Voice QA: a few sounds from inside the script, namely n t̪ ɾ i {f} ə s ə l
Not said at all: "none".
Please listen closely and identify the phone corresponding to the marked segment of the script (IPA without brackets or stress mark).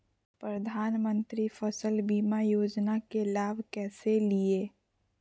f